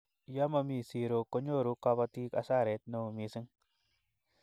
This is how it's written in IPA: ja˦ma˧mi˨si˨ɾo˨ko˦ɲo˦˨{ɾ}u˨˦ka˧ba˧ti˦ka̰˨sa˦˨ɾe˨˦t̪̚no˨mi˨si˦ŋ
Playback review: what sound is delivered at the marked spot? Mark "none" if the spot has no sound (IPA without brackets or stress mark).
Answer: ɾ